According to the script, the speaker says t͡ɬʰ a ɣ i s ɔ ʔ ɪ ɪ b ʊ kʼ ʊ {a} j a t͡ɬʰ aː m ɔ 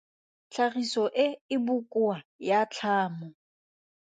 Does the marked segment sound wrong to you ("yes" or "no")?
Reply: no